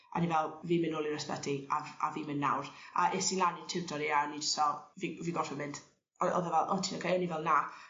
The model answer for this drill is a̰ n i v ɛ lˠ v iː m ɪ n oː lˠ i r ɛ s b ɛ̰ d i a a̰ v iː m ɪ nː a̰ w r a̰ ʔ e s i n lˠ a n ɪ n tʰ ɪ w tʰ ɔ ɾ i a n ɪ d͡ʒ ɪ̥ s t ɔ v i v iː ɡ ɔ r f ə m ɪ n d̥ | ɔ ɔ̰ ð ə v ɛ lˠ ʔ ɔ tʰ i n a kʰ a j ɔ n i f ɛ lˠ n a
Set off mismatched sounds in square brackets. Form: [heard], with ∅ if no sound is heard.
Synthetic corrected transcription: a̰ n i v ɛ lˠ v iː m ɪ n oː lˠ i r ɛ s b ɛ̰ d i a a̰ v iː m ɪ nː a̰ w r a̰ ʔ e s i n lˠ a n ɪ n tʰ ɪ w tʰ ɔ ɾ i a n [i] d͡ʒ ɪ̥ s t ɔ v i v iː ɡ ɔ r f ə m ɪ n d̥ | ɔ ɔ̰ ð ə v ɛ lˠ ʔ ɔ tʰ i n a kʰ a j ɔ n i [v] ɛ lˠ n a